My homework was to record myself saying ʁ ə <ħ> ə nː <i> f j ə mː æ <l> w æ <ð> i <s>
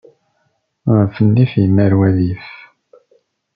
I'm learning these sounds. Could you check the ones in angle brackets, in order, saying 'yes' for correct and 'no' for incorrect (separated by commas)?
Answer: no, yes, no, yes, no